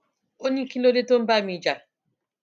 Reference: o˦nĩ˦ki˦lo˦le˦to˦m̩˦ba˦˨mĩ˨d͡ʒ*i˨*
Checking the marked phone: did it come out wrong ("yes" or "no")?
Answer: yes